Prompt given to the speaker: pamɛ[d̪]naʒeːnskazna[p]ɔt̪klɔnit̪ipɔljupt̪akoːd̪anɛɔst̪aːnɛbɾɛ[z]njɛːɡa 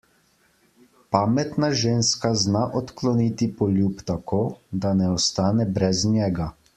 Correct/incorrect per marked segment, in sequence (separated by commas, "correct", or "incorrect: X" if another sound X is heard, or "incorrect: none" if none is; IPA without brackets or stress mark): incorrect: t̪, incorrect: ʔ, correct